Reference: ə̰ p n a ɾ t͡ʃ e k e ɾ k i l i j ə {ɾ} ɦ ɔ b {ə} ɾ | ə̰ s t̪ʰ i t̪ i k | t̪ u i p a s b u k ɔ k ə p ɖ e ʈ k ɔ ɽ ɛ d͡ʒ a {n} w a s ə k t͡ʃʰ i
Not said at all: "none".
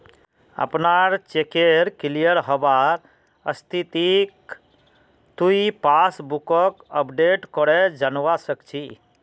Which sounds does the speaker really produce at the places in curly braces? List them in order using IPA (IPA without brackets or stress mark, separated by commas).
ɾ, a, n